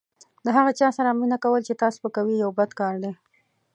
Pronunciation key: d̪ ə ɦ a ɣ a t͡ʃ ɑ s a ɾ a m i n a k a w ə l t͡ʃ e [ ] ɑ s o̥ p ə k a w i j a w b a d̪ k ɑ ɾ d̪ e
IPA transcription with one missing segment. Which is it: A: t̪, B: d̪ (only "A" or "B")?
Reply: A